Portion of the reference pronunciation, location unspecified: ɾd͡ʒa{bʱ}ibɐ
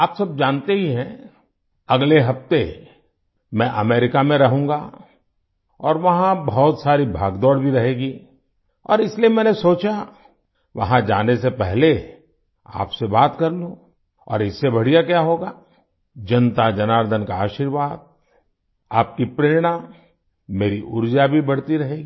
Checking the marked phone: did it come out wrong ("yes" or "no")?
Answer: no